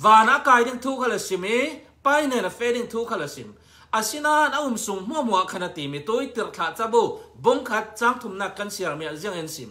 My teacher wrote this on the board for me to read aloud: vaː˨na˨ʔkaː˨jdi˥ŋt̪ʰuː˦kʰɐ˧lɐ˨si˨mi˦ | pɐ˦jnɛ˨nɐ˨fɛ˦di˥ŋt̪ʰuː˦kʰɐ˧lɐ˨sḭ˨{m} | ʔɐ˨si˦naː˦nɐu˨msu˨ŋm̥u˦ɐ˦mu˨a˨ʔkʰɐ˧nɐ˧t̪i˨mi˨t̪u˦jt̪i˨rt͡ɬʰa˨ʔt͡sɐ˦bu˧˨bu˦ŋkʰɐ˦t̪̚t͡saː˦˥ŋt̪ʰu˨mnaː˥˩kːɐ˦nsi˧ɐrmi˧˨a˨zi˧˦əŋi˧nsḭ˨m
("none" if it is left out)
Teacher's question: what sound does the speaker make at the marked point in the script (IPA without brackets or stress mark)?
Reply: m